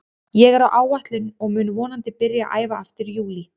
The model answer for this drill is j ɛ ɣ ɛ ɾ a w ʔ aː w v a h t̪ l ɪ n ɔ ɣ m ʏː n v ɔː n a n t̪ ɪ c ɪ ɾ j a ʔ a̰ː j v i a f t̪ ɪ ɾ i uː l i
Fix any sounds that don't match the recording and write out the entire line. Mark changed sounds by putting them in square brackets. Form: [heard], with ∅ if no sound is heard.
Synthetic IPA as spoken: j ɛ ɣ ɛ ɾ a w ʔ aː w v a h t̪ l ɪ n ɔ ɣ m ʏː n v ɔː n a n t̪ ɪ [p] ɪ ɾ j a ʔ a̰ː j v [a] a f t̪ ɪ ɾ [j] uː l i